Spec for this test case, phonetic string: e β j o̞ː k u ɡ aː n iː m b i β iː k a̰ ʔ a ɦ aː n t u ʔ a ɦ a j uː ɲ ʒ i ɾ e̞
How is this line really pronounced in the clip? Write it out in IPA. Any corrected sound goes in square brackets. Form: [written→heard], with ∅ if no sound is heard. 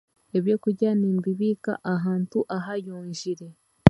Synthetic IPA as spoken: e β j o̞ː k u [ɡ→ɟ] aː n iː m b i β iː k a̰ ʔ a ɦ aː n t u ʔ a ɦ a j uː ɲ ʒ i ɾ e̞